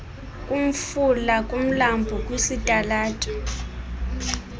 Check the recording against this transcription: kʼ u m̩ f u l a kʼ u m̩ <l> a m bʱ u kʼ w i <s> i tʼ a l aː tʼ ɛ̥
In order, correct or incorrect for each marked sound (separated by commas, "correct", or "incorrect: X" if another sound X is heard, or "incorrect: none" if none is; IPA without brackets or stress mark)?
correct, correct